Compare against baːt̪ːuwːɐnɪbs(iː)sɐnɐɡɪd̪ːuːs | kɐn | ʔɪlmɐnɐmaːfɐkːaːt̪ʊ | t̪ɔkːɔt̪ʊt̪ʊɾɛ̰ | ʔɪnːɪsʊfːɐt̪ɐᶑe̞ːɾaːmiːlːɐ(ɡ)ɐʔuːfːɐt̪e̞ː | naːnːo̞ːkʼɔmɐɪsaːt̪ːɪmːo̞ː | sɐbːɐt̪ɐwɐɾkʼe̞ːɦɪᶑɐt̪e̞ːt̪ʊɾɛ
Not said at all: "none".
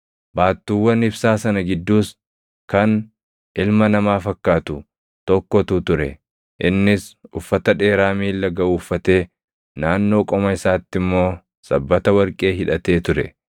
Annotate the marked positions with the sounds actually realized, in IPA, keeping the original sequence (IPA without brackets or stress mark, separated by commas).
aː, ɡ